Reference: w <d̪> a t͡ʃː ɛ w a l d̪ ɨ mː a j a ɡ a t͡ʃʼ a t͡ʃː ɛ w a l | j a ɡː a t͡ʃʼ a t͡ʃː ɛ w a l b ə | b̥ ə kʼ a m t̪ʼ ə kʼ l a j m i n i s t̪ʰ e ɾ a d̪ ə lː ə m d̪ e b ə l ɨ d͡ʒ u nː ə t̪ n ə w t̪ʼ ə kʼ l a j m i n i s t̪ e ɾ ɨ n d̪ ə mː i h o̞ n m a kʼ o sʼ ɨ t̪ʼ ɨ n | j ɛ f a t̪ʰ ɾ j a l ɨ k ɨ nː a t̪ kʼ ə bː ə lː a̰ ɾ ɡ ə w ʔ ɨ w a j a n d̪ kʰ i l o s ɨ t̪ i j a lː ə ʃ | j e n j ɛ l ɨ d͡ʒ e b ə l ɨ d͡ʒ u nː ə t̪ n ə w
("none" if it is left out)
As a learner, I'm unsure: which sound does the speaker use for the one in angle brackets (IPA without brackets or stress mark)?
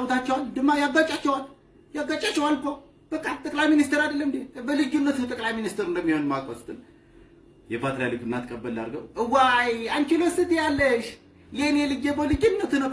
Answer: t̪